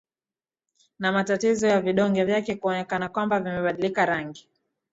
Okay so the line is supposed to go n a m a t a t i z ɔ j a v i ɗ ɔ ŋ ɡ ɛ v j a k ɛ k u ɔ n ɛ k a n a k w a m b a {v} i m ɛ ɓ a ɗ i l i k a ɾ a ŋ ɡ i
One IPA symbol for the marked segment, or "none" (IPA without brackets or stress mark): v